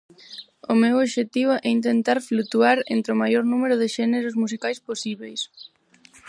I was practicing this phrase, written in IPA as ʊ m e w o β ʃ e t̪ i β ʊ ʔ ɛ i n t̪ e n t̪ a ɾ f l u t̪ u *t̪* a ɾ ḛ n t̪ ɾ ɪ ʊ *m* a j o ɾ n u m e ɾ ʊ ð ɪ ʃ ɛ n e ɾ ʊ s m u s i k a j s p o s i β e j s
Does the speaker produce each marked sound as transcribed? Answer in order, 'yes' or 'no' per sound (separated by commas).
no, yes